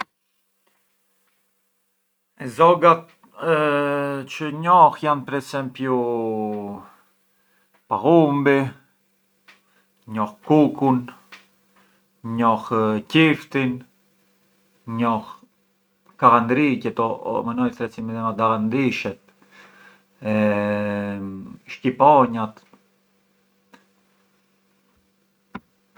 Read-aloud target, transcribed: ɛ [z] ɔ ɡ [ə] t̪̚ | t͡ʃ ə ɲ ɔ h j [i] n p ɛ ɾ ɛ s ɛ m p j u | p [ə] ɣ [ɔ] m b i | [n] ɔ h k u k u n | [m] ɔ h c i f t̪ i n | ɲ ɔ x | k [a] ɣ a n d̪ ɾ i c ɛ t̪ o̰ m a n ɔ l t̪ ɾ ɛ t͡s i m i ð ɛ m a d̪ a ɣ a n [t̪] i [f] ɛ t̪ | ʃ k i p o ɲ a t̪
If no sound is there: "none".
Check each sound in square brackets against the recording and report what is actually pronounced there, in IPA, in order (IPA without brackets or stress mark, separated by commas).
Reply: z, a, a, a, u, ɲ, ɲ, a, d̪, ʃ